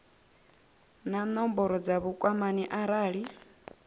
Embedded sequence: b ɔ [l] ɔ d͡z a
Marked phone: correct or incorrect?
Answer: incorrect